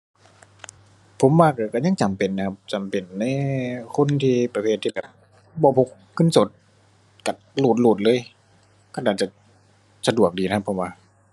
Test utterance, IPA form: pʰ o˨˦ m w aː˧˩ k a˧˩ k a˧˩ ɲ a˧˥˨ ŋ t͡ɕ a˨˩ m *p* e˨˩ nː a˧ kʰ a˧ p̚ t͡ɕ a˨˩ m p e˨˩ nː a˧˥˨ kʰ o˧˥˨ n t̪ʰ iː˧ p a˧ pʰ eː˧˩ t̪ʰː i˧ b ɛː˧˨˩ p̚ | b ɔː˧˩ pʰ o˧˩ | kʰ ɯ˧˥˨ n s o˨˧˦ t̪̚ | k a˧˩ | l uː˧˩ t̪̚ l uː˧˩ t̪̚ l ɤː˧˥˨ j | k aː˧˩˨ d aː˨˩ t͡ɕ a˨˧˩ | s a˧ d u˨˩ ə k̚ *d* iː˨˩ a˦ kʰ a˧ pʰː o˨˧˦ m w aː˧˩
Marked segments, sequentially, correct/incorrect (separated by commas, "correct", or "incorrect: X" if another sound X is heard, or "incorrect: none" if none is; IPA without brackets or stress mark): correct, correct